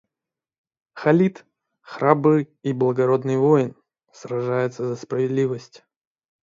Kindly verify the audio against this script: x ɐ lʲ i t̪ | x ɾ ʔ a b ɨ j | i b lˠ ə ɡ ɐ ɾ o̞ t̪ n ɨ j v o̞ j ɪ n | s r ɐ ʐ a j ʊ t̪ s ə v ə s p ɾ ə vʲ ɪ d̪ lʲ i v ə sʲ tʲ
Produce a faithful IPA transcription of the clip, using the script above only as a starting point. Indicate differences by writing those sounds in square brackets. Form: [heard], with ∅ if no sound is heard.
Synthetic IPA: x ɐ lʲ i t̪ | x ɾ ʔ a b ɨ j | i b lˠ ə ɡ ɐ ɾ o̞ [d̪] n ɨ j v o̞ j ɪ n | s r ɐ ʐ a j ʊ t̪ s ə [z] ə s p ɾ ə vʲ ɪ d̪ lʲ i v ə sʲ tʲ